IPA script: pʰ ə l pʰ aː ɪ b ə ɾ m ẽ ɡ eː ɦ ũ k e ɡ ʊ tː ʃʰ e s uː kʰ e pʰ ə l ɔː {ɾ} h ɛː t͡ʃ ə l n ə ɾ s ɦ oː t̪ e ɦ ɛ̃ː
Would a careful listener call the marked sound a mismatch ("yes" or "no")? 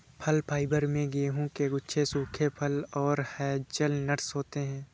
no